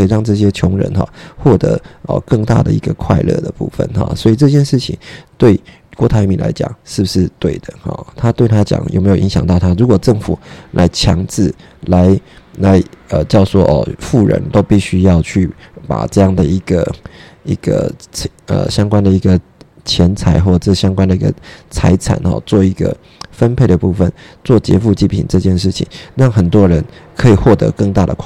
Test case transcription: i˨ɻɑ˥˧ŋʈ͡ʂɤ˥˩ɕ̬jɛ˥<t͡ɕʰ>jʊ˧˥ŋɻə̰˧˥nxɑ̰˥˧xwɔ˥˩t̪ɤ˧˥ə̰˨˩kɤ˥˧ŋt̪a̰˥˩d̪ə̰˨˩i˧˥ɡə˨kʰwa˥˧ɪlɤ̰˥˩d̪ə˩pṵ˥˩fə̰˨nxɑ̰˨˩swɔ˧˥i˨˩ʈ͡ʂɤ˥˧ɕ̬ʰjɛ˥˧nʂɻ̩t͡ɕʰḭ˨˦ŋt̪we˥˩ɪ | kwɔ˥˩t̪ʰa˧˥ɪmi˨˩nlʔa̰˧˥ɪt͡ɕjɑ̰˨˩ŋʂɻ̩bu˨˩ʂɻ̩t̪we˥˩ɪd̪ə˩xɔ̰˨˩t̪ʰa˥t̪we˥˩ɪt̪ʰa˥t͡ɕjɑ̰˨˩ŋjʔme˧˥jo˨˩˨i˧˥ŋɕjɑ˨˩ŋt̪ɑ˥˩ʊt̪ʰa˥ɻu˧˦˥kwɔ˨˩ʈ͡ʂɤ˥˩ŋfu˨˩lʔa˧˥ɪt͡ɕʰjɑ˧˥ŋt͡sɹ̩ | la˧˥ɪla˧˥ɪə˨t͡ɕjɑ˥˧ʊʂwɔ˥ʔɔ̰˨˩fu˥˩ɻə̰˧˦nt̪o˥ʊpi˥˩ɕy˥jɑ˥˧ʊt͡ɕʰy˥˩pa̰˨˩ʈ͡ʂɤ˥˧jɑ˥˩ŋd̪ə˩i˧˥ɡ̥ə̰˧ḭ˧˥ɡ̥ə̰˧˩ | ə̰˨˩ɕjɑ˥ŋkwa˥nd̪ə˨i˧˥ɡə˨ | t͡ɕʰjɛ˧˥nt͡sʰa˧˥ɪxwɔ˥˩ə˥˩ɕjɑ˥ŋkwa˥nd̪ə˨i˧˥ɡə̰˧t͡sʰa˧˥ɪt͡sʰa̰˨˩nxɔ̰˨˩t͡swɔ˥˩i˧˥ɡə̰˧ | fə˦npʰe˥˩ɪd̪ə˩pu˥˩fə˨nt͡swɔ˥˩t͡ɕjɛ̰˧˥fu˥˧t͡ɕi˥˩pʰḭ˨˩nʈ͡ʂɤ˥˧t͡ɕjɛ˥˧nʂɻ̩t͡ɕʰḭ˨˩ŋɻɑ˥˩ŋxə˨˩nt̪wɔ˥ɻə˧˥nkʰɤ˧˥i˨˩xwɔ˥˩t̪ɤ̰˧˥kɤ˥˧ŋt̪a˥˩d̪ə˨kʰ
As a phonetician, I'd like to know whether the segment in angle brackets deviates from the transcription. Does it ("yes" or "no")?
no